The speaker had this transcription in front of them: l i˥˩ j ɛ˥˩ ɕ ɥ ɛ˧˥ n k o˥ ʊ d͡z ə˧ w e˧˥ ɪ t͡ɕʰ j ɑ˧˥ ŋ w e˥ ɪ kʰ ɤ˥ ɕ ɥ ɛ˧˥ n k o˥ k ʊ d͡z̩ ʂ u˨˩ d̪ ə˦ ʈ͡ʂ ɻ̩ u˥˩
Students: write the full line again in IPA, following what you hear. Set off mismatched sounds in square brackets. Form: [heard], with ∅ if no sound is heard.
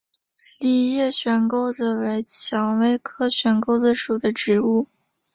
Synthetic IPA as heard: l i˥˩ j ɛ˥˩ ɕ ɥ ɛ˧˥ n k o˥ ʊ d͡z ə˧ w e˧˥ ɪ t͡ɕʰ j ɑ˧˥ ŋ w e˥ ɪ kʰ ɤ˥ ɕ ɥ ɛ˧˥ n k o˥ [∅] ʊ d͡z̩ ʂ u˨˩ d̪ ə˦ ʈ͡ʂ ɻ̩ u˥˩